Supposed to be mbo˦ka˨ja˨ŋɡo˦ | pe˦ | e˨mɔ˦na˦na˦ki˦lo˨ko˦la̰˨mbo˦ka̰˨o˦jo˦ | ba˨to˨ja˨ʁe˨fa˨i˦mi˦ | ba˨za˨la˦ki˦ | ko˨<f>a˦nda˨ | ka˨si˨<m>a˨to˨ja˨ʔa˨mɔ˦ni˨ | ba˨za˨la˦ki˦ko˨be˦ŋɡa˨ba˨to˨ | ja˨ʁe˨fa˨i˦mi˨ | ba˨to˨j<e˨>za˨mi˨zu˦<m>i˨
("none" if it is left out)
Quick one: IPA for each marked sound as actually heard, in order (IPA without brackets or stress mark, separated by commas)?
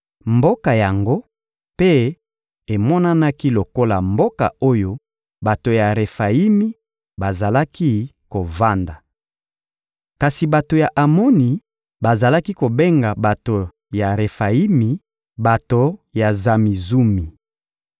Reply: v, b, a˨, m